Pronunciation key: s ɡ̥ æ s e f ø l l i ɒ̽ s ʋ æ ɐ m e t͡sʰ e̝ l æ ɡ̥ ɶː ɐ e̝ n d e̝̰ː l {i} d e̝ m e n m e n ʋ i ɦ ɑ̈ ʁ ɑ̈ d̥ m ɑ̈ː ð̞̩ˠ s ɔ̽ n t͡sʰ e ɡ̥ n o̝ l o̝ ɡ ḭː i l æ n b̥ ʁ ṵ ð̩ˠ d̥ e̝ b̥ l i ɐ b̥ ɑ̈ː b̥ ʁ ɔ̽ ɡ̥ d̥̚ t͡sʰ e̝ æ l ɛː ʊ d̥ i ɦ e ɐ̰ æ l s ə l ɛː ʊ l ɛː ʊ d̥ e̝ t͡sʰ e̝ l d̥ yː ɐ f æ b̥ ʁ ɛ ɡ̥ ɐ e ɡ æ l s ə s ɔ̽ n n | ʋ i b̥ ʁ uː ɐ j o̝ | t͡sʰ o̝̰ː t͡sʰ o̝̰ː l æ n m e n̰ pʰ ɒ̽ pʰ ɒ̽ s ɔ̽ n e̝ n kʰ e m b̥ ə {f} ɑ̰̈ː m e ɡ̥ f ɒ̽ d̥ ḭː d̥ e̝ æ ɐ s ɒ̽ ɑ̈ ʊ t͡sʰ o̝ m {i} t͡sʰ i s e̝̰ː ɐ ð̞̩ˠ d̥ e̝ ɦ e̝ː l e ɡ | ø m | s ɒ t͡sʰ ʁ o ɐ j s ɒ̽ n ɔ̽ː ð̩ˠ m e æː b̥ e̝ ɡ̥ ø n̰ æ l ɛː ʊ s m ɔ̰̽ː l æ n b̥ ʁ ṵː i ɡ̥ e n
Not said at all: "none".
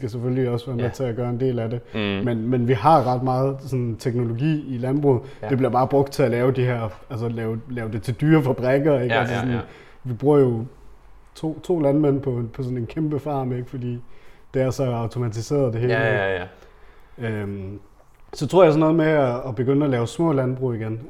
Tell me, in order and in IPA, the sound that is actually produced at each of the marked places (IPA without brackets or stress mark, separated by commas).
æ, f, æ